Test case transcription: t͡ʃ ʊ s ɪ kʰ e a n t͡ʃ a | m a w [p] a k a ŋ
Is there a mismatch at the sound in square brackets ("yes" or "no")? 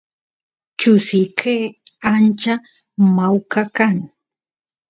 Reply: yes